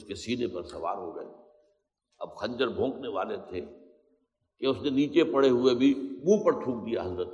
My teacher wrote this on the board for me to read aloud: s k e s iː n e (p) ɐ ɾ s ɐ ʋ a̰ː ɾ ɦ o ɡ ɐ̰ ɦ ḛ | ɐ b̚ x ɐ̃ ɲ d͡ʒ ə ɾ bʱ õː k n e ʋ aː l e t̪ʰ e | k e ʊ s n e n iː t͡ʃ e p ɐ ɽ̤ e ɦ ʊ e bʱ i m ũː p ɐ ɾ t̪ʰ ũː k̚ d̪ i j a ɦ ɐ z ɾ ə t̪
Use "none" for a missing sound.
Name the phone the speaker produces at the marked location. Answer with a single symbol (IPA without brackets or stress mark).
p